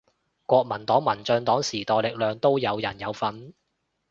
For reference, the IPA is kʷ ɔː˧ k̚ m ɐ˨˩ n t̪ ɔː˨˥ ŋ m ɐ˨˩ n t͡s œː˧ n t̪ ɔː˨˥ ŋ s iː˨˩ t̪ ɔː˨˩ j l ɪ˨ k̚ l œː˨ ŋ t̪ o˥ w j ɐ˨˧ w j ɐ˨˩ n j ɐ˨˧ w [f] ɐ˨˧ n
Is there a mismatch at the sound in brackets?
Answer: no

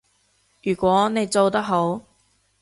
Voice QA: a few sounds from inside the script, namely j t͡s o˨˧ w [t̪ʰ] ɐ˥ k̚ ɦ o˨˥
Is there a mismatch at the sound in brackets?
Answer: yes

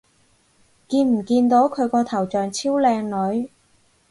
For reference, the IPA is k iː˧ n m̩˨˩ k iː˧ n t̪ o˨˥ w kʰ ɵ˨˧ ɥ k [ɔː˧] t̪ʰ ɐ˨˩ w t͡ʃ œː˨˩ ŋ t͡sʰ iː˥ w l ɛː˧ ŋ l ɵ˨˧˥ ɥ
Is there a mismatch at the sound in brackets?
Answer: no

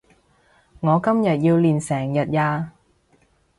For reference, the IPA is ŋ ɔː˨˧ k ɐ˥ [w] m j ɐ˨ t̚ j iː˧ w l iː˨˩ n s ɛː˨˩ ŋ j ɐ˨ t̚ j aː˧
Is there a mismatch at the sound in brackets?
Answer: yes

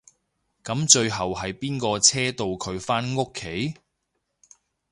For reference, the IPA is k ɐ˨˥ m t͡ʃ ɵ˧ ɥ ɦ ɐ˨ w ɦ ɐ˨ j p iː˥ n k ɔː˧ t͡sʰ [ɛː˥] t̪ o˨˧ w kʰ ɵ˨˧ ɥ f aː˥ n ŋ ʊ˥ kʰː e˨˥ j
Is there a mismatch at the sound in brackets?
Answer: no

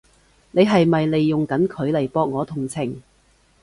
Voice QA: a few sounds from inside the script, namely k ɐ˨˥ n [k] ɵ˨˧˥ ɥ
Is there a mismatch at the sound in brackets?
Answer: yes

